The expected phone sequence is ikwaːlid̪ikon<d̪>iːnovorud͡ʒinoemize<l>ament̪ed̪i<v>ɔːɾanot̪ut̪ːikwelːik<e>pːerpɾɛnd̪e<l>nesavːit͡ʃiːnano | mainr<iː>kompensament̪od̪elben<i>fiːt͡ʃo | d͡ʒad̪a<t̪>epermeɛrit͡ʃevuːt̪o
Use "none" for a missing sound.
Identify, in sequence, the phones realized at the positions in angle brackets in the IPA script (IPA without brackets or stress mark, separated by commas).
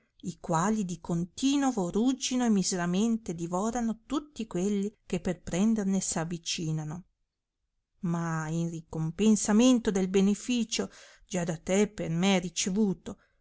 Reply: t̪, ɾ, v, e, r, i, e, t̪